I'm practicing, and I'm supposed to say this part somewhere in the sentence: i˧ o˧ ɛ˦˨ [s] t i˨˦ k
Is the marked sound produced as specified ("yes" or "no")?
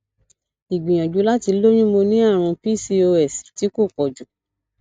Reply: yes